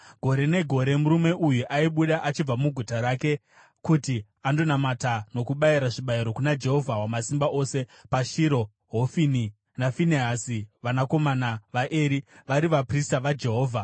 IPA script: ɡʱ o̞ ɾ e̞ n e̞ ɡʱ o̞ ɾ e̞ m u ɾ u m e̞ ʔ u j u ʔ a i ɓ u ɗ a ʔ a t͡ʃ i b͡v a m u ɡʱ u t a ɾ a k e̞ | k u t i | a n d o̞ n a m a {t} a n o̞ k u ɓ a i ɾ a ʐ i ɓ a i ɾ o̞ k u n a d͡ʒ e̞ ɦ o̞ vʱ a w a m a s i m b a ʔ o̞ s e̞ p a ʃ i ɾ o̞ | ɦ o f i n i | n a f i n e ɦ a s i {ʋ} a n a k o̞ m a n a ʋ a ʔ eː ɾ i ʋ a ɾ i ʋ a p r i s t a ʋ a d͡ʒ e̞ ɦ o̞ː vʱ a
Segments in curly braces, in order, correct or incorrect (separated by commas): correct, correct